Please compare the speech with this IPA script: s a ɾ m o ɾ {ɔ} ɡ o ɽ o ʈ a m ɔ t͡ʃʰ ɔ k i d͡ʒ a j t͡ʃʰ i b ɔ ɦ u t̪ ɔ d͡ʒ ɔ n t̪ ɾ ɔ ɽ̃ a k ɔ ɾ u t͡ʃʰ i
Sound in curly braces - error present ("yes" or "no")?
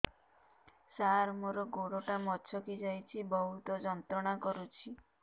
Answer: no